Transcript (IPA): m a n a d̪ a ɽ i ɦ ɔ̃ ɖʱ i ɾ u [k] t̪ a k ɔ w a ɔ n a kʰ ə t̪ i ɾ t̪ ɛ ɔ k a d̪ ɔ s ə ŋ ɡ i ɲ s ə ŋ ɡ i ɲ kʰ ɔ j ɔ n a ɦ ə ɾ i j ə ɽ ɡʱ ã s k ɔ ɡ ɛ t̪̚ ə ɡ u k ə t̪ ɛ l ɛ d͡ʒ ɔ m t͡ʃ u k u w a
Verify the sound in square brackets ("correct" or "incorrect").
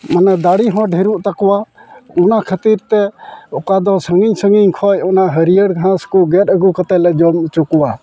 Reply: incorrect